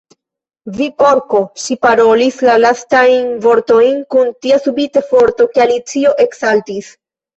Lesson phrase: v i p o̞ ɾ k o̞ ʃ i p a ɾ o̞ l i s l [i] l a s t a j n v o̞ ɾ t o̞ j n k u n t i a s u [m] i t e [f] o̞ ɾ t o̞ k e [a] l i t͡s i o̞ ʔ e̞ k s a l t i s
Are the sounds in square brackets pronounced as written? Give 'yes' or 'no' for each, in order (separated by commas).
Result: no, no, yes, yes